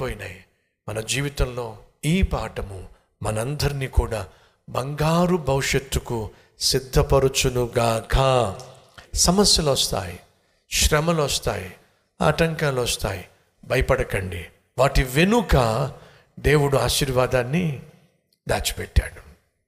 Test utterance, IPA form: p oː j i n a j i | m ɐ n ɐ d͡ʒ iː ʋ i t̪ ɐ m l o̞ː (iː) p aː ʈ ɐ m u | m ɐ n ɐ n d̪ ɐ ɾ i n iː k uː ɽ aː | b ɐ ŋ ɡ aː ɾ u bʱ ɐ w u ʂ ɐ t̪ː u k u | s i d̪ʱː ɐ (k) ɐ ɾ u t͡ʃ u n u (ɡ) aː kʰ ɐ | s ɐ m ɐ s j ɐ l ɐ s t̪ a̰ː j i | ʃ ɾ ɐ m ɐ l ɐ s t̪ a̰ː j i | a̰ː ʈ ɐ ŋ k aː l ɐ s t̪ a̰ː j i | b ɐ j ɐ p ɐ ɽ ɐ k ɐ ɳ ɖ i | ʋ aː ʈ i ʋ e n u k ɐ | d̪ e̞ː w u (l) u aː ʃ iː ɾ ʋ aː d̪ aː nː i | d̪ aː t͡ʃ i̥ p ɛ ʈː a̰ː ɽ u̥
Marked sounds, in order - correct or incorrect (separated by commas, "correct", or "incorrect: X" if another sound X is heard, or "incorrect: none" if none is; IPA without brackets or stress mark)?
correct, incorrect: p, correct, incorrect: ɽ